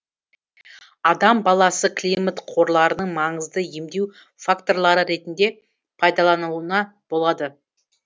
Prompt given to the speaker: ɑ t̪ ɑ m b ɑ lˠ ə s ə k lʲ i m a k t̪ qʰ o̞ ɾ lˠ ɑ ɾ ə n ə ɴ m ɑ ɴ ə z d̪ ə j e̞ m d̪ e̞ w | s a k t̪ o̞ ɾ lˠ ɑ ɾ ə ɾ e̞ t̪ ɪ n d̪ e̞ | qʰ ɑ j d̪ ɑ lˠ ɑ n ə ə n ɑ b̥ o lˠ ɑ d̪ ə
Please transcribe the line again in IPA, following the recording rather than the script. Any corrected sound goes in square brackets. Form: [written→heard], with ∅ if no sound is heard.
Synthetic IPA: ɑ [t̪→d̪] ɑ m b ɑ lˠ [ə→ɑ] s ə k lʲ i m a [k→∅] t̪ qʰ o̞ ɾ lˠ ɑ ɾ ə n ə ɴ m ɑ ɴ ə z d̪ ə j e̞ m d̪ e̞ w | [s→f] a k t̪ o̞ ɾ lˠ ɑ ɾ ə ɾ e̞ t̪ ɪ n d̪ e̞ | [qʰ→pʰ] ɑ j d̪ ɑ lˠ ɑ n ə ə n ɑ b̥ o lˠ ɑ d̪ ə